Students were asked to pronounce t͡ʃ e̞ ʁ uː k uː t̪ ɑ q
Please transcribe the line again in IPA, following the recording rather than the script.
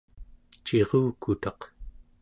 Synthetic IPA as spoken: t͡ʃ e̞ ʁ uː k u t̪ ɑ q